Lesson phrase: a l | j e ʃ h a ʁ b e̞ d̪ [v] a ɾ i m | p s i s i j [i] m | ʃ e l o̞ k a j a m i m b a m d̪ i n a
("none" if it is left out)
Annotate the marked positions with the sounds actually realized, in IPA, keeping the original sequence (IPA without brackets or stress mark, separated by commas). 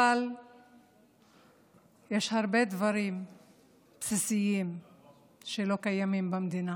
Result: v, i